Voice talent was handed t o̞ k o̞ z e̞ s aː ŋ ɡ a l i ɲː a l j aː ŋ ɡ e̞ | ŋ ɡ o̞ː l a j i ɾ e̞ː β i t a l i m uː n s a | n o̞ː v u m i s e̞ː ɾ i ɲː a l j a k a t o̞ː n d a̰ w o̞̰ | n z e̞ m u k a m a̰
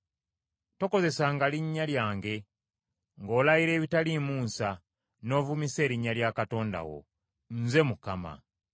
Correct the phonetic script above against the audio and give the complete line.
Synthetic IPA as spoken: t o̞ k o̞ z e̞ s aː ŋ ɡ a l i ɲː a l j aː ŋ ɡ e̞ | ŋ ɡ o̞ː l a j i ɾ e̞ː β i t a l i m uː n s a | n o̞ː v u m i s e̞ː ɾ i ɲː a l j a k a t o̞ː n d a̰ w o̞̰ | n z e̞ m u k a m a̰

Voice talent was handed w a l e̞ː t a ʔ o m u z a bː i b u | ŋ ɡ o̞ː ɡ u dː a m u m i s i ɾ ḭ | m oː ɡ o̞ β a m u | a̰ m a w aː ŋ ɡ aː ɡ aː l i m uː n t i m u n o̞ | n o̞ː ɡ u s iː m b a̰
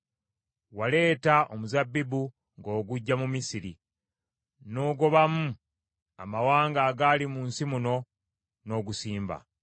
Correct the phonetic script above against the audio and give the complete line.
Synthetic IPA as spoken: w a l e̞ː t a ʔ o m u z a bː i b u | ŋ ɡ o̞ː ɡ u ɟː a m u m i s i ɾ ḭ | n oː ɡ o̞ β a m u | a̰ m a w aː ŋ ɡ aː ɡ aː l i m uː n s i m u n o̞ | n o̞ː ɡ u s iː m b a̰

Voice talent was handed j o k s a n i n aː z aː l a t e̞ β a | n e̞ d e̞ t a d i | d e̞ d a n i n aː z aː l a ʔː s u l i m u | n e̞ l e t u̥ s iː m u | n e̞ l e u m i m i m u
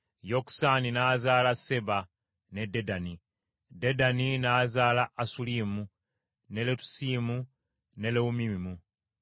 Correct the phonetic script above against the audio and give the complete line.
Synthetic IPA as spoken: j o k s a n i n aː z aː l a s e̞ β a | n e̞ d e̞ d a n i | d e̞ d a n i n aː z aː l a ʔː s u l i m u | n e̞ l e t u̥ s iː m u | n e̞ l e u m i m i m u

